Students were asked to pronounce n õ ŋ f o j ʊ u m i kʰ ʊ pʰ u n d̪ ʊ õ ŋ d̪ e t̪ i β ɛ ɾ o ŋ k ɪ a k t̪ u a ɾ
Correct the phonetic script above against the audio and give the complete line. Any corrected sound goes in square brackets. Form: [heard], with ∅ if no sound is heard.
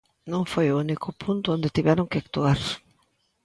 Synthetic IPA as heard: n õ ŋ f o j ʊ u [n] i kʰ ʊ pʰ u n [t̪] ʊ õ [n] d̪ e t̪ i β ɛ ɾ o ŋ k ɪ a k t̪ u a ɾ